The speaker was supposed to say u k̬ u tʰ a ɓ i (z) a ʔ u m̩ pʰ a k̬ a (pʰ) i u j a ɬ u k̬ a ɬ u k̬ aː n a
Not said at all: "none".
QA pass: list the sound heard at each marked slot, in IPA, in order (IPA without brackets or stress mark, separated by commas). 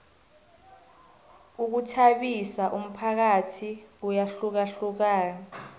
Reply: s, tʰ